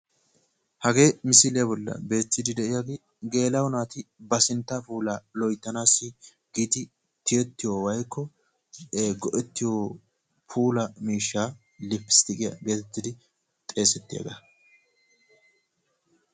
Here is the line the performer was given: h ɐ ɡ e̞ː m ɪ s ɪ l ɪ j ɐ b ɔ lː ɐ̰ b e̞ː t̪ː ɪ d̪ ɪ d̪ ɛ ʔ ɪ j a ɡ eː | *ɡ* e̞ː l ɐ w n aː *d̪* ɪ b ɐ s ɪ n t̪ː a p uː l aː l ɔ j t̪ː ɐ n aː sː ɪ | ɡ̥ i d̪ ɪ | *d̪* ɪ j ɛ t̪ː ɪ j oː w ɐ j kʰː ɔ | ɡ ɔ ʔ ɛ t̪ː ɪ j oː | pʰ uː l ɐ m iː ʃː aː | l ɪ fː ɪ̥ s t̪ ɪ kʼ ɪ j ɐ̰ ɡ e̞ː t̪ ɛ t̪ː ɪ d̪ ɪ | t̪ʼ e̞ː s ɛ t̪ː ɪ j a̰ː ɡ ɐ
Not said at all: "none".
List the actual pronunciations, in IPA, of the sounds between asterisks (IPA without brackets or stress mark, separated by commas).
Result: ɡ, t̪, t̪